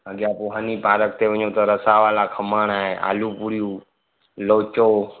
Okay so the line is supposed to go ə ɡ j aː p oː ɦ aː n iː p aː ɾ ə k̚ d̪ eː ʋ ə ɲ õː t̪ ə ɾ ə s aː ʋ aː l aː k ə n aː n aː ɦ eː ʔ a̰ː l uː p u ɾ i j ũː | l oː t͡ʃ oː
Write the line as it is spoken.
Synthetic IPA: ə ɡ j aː p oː ɦ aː n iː p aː ɾ ə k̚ t̪ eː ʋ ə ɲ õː t̪ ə ɾ ə s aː ʋ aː l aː kʰ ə m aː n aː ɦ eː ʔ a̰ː l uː p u ɾ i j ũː | l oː t͡ʃ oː